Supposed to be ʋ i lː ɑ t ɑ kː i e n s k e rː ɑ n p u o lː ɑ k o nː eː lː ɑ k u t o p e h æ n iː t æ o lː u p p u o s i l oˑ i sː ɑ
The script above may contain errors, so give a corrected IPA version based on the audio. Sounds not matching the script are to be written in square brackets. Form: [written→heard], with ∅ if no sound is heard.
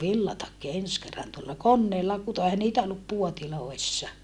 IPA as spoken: ʋ i lː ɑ t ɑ kː i e n s k e rː ɑ n [p→t] u o lː ɑ k o nː eː lː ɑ k u t o [p→∅] e h æ n iː t æ o lː u p p u o [s→t] i l oˑ i sː ɑ